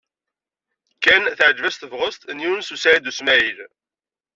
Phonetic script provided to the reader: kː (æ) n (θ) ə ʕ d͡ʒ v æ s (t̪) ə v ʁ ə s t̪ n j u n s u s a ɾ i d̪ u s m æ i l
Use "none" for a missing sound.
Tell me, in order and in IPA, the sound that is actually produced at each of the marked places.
æ, θ, t̪

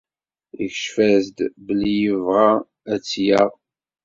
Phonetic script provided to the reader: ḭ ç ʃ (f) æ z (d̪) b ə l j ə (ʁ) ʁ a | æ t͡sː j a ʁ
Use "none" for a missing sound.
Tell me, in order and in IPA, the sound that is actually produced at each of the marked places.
f, d̪, v

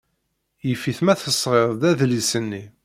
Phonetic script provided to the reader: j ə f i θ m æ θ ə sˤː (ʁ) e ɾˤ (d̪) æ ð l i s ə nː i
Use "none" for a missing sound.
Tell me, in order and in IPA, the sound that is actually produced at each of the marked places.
ʁ, d̪

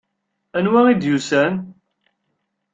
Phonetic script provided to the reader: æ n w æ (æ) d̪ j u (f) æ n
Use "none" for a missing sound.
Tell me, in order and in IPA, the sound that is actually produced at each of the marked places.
i, s

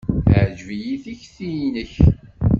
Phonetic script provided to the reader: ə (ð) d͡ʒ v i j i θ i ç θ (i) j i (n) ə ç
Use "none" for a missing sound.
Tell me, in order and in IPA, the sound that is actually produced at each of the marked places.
ʕ, i, n

